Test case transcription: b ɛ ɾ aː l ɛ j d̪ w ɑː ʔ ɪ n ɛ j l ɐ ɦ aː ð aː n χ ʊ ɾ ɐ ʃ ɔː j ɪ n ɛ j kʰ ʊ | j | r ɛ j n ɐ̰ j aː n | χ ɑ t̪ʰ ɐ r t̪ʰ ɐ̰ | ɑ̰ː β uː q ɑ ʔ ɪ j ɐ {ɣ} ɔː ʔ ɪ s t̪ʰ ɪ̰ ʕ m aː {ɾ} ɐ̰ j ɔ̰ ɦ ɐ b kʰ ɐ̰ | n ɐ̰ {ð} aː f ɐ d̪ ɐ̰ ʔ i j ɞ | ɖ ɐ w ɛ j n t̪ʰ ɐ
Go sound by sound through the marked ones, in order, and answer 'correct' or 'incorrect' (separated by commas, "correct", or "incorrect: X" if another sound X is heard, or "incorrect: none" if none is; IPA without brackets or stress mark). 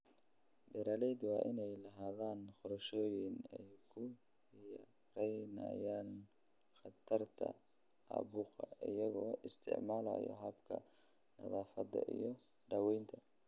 correct, incorrect: l, correct